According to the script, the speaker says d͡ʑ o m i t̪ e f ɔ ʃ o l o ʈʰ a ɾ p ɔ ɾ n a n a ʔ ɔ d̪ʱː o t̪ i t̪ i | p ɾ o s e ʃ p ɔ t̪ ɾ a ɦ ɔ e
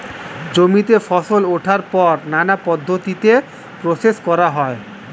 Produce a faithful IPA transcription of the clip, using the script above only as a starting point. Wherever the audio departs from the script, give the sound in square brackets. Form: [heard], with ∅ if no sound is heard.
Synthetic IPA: d͡ʑ o m i t̪ e f ɔ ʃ o l o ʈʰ a ɾ p ɔ ɾ n a n a [p] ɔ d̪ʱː o t̪ i t̪ [e] | p ɾ o s e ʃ [k] ɔ [∅] ɾ a ɦ ɔ e